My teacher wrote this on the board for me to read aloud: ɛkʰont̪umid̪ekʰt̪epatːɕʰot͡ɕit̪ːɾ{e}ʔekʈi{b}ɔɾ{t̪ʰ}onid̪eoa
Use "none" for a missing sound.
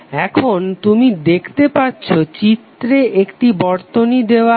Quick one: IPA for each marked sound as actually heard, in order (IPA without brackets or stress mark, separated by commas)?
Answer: e, b, t̪